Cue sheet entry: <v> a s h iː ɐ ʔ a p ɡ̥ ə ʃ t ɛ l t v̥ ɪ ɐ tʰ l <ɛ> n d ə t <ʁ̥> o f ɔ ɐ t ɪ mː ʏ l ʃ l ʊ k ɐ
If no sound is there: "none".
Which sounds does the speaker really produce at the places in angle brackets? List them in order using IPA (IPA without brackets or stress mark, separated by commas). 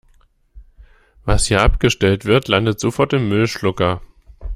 v, a, z̥